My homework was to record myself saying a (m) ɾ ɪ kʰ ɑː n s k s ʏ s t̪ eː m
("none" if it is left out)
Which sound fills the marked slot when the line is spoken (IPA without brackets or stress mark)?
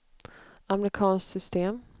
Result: m